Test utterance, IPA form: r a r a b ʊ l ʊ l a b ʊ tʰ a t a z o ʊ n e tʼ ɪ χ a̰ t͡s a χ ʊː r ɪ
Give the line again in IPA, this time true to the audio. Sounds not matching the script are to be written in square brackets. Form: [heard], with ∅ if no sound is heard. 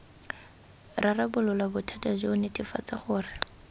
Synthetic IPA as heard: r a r a b ʊ l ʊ l a b ʊ tʰ a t a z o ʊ n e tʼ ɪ [f] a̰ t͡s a χ ʊː r ɪ